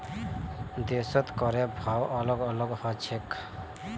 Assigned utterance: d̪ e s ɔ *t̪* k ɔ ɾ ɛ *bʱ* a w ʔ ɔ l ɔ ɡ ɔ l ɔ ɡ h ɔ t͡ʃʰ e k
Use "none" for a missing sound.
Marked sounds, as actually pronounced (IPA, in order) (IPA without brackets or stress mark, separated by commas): t̪, bʱ